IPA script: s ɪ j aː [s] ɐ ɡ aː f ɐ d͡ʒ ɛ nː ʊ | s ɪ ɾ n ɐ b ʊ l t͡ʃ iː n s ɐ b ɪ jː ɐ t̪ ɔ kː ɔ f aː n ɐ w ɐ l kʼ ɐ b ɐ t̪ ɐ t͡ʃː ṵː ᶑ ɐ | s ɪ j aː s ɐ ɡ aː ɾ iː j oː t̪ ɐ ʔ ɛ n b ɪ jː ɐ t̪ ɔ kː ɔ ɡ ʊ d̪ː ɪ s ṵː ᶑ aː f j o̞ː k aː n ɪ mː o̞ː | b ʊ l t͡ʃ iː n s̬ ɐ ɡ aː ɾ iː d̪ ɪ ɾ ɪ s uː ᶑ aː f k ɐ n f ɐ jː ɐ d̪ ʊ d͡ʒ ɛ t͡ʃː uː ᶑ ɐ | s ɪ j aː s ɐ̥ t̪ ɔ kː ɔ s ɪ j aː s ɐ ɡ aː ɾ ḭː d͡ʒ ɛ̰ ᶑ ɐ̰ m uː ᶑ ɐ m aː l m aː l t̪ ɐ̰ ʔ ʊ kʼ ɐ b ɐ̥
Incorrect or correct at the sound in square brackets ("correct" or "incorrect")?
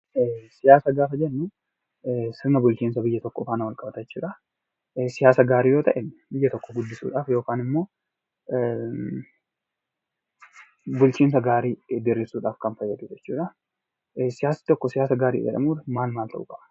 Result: correct